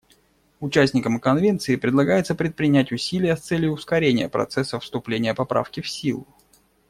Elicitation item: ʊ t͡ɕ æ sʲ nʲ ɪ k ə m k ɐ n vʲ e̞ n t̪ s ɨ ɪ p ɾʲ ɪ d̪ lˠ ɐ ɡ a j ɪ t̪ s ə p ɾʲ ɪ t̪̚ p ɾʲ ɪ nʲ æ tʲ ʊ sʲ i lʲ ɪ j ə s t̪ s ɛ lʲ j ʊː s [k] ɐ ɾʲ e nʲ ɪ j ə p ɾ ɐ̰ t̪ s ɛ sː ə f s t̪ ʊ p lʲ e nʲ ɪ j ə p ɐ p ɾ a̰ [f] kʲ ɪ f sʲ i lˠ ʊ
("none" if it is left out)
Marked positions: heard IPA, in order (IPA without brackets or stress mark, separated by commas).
k, f